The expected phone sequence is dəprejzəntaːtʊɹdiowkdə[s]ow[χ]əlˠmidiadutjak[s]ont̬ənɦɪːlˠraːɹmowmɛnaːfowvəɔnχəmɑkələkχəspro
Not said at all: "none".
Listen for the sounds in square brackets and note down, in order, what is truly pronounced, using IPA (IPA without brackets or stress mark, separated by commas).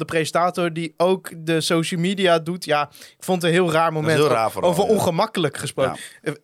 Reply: s, ʃ, f